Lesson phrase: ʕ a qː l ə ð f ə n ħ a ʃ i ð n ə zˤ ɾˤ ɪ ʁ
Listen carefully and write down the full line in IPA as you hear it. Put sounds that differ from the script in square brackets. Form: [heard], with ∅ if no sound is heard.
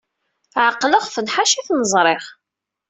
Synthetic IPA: ʕ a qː l ə [ʁ] f ə n ħ a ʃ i [θ] n ə zˤ ɾˤ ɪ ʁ

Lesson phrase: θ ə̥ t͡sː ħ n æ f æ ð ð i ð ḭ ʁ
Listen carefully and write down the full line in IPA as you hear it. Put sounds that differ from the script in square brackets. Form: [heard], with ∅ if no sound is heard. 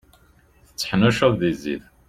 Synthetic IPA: θ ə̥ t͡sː ħ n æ [ʃ] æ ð ð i [z] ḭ [ð]

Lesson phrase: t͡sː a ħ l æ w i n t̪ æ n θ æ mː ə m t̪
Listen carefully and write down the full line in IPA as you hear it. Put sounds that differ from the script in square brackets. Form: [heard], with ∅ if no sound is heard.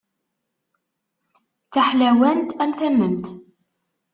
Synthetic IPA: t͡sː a ħ l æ w [æ] n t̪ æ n θ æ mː ə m t̪

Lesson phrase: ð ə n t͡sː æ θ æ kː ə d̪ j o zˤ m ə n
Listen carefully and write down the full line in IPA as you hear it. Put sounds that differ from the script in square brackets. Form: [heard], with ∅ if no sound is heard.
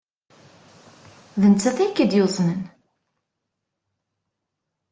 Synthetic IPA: ð ə n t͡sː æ θ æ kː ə d̪ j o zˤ [n] ə n

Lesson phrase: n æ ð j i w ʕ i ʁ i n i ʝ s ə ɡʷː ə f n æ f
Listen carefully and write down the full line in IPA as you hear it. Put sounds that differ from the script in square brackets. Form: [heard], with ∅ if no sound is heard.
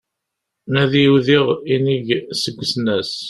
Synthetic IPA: n æ ð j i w [ð] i ʁ i n i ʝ s ə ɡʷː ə [s] n æ [s]

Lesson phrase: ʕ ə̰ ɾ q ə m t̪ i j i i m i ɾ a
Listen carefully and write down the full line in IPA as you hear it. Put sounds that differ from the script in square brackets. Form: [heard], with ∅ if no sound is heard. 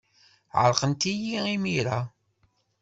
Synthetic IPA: ʕ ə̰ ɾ q ə [n] t̪ i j i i m i ɾ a

